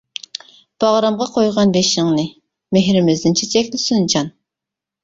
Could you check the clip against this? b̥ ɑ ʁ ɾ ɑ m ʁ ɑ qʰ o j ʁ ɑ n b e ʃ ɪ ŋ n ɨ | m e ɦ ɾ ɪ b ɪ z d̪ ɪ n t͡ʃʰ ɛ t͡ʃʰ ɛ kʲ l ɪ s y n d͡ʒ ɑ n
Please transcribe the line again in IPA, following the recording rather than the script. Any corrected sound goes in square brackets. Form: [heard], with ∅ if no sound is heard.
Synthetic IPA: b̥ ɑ ʁ ɾ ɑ m ʁ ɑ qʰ o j ʁ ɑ n b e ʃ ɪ ŋ n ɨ | m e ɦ ɾ ɪ [m] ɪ z d̪ ɪ n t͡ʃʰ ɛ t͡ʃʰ ɛ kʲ l ɪ s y n d͡ʒ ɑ n